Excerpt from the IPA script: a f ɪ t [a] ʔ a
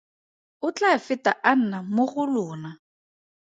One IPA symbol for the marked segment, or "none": a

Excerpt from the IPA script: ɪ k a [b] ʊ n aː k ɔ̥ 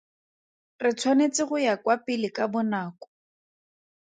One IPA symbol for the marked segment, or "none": b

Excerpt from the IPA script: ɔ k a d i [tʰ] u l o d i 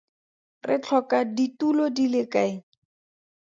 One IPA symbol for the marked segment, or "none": t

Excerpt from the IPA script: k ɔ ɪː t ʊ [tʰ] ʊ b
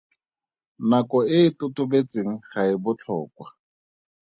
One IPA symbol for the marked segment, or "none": t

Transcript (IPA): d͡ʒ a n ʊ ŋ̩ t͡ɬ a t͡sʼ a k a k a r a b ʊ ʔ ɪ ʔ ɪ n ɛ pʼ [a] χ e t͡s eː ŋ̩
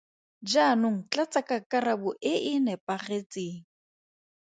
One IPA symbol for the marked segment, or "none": a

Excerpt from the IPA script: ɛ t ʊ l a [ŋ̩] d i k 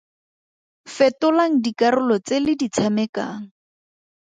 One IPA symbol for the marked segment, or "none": ŋ̩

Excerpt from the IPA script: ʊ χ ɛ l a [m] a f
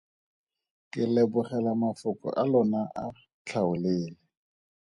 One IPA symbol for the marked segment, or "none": m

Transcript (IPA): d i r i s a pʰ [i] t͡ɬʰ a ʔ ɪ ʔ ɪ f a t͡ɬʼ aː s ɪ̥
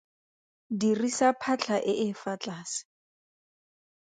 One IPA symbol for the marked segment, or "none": a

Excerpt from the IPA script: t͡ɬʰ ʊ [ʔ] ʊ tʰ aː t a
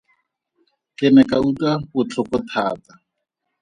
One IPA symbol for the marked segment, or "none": k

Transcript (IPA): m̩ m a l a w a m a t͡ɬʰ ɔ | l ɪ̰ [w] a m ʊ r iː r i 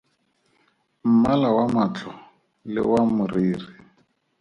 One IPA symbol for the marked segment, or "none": w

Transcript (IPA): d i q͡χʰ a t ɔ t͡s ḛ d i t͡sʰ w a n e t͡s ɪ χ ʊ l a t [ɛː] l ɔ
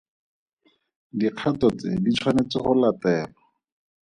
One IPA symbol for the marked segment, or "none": ɛː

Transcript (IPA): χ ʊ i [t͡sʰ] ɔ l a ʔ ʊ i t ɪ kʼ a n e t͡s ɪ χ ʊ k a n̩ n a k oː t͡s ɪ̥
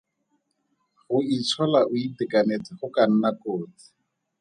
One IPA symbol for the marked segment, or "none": t͡sʰ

